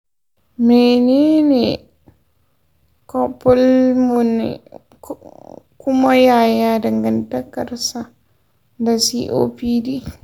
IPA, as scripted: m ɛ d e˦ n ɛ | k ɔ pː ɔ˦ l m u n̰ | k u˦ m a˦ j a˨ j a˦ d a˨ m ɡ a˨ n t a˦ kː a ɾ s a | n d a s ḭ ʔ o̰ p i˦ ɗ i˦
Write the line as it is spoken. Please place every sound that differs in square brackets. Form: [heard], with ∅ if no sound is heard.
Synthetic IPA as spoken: m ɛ [n] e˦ n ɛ | k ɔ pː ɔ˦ l m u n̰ | k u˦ m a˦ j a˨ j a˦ d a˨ [ŋ] ɡ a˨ n t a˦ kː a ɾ s a | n d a s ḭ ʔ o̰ p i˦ [d] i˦

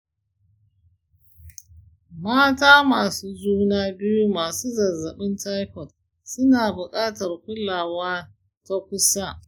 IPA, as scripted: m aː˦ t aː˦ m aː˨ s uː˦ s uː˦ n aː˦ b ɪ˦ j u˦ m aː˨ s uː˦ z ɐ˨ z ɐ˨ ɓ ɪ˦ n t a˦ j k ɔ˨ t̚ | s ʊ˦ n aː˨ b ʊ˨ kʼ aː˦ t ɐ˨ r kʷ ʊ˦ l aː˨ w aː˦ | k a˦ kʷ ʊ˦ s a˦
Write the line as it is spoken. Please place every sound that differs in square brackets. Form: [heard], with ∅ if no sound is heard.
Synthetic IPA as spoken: m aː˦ t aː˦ m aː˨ s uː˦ [z] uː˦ n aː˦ b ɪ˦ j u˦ m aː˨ s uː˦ z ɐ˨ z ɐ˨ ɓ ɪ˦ n t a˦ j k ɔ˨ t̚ | s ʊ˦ n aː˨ b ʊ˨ kʼ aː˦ t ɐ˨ r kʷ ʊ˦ l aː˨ w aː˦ | [t] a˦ kʷ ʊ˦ s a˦

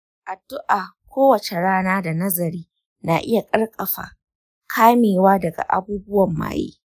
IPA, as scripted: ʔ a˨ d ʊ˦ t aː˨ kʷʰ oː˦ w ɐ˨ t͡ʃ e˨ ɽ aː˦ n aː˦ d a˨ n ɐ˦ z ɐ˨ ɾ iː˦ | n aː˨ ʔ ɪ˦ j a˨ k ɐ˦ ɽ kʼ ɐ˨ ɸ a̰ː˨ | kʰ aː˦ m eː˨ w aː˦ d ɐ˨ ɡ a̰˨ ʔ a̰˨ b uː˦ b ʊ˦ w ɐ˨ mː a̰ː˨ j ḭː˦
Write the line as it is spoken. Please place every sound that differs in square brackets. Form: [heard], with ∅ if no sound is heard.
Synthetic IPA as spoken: ʔ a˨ d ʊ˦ [ʔ] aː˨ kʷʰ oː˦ w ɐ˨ t͡ʃ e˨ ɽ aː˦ n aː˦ d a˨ n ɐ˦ z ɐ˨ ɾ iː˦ | n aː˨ ʔ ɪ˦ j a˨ [kʼ] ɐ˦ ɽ kʼ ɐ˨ ɸ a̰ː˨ | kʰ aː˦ m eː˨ w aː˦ d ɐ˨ ɡ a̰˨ ʔ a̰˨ b uː˦ b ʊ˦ w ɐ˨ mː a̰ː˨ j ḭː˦

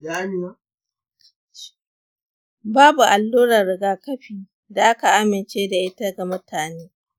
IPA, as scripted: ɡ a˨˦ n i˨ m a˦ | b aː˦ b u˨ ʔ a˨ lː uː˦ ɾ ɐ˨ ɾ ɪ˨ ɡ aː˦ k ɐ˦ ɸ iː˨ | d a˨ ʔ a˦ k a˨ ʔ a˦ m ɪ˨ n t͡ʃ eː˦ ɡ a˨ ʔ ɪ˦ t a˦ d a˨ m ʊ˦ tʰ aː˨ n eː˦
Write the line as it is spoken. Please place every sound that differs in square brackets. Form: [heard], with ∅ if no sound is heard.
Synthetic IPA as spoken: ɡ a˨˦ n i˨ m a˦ | b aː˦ b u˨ ʔ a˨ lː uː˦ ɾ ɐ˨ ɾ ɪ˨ ɡ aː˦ k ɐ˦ ɸ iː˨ | d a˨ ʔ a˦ k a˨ ʔ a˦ m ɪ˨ n t͡ʃ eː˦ [d] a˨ ʔ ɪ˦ t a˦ [ɡ] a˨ m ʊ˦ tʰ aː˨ n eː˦

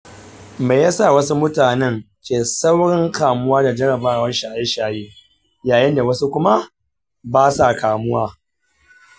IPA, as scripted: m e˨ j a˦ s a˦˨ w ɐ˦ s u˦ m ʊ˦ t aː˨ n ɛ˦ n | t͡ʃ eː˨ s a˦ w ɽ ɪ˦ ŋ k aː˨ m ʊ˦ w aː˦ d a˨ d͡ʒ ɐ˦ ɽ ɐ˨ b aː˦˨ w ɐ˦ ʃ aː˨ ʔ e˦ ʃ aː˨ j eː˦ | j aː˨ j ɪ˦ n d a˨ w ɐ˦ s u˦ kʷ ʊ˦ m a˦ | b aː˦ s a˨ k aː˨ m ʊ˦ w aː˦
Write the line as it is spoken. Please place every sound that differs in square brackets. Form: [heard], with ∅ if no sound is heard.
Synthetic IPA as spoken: m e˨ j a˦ s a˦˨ w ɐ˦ s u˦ m ʊ˦ t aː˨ n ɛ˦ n | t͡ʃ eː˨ s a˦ w ɽ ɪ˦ ŋ k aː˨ m ʊ˦ w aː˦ d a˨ d͡ʒ ɐ˦ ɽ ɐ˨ b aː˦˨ w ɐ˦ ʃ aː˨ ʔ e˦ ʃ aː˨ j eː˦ | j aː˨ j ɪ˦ n d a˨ w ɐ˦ s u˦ kʷ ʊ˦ m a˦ | b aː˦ s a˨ k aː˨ m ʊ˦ w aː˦

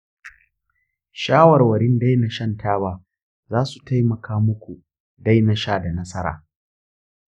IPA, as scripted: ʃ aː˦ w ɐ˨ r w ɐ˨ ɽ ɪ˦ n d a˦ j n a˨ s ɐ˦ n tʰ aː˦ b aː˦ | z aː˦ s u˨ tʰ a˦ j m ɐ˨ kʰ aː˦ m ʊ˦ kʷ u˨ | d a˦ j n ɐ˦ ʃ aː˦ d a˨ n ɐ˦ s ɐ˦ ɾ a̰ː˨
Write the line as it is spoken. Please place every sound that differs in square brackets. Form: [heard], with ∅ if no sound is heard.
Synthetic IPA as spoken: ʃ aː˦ w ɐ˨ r w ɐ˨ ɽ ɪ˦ n d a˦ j n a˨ [ʃ] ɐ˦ n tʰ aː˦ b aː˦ | z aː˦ s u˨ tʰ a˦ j m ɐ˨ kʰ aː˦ m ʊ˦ kʷ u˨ | d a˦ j n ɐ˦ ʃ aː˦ d a˨ n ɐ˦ s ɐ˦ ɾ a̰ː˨

